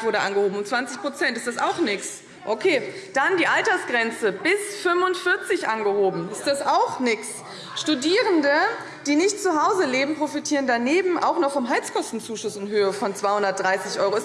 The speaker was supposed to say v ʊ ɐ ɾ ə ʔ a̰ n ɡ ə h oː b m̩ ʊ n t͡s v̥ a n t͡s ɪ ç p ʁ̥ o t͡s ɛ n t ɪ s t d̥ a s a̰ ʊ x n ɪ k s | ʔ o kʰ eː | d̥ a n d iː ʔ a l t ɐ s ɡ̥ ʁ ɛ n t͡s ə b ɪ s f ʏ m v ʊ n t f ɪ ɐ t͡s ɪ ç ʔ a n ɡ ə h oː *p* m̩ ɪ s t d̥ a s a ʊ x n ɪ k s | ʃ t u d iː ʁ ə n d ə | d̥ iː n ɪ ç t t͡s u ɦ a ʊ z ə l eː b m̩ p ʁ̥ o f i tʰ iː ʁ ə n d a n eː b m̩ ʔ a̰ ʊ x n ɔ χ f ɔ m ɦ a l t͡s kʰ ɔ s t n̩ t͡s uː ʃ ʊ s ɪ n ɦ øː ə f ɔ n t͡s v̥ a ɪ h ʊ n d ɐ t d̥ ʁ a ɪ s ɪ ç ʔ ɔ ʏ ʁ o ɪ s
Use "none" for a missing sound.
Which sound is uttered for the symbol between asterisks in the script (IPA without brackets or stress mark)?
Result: b